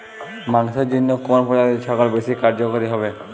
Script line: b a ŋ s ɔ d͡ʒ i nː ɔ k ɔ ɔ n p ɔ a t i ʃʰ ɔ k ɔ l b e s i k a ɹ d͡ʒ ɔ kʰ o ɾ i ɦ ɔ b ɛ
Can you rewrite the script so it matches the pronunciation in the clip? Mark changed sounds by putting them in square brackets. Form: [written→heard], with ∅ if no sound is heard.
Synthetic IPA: [b→m] a ŋ s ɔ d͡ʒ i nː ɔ k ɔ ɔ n p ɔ a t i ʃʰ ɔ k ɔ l b e s i k a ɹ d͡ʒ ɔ [kʰ→k] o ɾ i ɦ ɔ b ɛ